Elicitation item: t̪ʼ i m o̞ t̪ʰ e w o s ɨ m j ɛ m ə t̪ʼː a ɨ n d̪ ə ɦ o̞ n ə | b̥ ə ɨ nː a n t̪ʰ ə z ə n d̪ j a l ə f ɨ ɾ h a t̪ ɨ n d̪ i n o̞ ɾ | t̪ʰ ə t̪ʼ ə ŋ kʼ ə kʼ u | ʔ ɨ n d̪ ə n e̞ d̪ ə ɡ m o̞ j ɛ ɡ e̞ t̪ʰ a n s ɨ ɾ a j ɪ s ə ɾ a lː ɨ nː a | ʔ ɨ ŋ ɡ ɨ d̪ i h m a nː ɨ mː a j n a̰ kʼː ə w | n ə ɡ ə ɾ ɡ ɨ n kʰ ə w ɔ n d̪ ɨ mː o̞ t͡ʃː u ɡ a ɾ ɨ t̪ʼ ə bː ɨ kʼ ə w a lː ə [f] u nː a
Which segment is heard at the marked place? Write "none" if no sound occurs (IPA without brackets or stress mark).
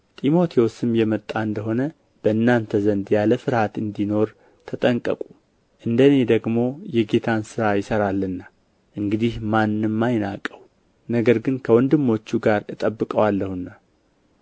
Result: h